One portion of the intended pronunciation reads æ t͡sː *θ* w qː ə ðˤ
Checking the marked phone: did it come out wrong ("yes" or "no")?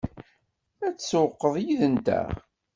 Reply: yes